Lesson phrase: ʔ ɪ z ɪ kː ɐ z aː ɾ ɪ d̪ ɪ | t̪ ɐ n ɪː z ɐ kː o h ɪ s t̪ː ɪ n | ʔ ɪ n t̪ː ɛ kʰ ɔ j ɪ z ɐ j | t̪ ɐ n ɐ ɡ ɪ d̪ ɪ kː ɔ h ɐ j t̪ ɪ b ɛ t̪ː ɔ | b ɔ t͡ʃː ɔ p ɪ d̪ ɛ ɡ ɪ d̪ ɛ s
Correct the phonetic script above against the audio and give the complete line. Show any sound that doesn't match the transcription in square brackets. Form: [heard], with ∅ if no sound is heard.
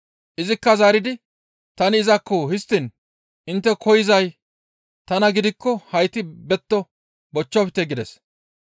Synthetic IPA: ʔ ɪ z ɪ kː ɐ z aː ɾ ɪ d̪ ɪ | t̪ ɐ n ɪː z ɐ kː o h ɪ s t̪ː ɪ n | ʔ ɪ n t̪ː ɛ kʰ ɔ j ɪ z ɐ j | t̪ ɐ n ɐ ɡ ɪ d̪ ɪ kː ɔ h ɐ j t̪ ɪ b ɛ t̪ː ɔ | b ɔ t͡ʃː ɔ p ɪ [t̪] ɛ ɡ ɪ d̪ ɛ s

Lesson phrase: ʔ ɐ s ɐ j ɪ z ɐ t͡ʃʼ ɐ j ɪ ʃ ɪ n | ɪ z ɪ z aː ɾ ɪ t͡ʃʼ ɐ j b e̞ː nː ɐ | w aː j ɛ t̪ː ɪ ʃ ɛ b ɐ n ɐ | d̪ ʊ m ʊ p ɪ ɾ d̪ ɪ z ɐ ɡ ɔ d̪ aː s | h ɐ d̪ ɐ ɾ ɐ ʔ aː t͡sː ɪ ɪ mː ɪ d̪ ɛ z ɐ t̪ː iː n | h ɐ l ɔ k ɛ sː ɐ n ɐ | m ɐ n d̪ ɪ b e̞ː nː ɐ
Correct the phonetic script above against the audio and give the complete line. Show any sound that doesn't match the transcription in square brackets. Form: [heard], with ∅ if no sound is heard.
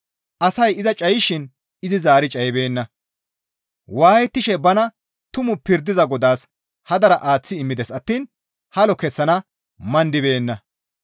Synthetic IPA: ʔ ɐ s ɐ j ɪ z ɐ t͡ʃʼ ɐ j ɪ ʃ ɪ n | ɪ z ɪ z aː ɾ ɪ t͡ʃʼ ɐ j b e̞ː nː ɐ | w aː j ɛ t̪ː ɪ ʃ ɛ b ɐ n ɐ | [t̪] ʊ m ʊ p ɪ ɾ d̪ ɪ z ɐ ɡ ɔ d̪ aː s | h ɐ d̪ ɐ ɾ ɐ ʔ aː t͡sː ɪ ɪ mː ɪ d̪ ɛ [s] ɐ t̪ː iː n | h ɐ l ɔ k ɛ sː ɐ n ɐ | m ɐ n d̪ ɪ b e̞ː nː ɐ

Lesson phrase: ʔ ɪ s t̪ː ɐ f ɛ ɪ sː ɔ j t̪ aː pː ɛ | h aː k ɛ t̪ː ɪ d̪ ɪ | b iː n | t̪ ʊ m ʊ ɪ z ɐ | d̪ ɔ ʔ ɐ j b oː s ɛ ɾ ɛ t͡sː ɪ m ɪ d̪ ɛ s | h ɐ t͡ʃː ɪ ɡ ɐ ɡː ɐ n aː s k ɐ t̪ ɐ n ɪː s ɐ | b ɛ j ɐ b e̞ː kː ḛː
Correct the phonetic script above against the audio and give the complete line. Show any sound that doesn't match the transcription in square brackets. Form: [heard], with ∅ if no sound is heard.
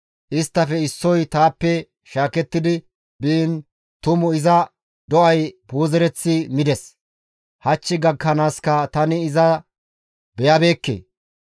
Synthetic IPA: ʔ ɪ s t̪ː ɐ f ɛ ɪ sː ɔ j t̪ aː pː ɛ | [ʃ] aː k ɛ t̪ː ɪ d̪ ɪ | b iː n | t̪ ʊ m ʊ ɪ z ɐ | d̪ ɔ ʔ ɐ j b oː [z] ɛ ɾ ɛ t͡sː ɪ m ɪ d̪ ɛ s | h ɐ t͡ʃː ɪ ɡ ɐ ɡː ɐ n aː s k ɐ t̪ ɐ n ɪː [z] ɐ | b ɛ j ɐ b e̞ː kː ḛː

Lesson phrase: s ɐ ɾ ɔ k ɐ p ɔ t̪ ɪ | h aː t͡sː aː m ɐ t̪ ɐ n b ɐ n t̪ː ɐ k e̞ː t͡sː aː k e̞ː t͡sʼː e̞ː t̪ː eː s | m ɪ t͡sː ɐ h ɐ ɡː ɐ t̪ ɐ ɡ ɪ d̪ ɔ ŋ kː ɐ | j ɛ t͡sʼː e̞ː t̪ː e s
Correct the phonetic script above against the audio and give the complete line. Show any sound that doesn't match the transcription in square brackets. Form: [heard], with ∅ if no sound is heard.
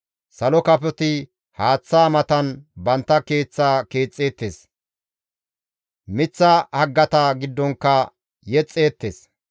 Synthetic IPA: s ɐ [l] ɔ k ɐ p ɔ t̪ ɪ | h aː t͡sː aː m ɐ t̪ ɐ n b ɐ n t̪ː ɐ k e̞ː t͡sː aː k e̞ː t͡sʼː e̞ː t̪ː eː s | m ɪ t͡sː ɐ h ɐ ɡː ɐ t̪ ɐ ɡ ɪ [d̪ː] ɔ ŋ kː ɐ | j ɛ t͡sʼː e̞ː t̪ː e s

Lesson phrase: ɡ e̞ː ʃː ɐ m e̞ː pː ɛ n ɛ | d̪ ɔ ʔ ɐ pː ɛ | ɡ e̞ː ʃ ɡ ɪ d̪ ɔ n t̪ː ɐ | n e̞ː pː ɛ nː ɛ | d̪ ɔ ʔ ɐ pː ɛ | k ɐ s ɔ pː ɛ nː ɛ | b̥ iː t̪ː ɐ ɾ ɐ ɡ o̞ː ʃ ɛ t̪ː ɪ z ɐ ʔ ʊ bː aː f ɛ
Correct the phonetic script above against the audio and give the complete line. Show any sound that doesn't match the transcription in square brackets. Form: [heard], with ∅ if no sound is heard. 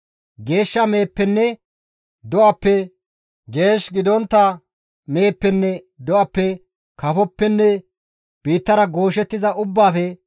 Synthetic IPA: ɡ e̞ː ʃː ɐ m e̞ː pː ɛ [nː] ɛ | d̪ ɔ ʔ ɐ pː ɛ | ɡ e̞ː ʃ ɡ ɪ d̪ ɔ n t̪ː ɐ | [m] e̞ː pː ɛ nː ɛ | d̪ ɔ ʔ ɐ pː ɛ | k ɐ [f] ɔ pː ɛ nː ɛ | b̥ iː t̪ː ɐ ɾ ɐ ɡ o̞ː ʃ ɛ t̪ː ɪ z ɐ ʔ ʊ bː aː f ɛ

